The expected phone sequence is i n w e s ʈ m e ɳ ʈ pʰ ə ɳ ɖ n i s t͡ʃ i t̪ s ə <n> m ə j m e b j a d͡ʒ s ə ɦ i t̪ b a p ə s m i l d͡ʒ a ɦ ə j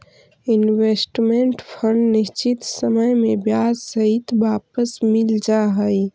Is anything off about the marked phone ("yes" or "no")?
yes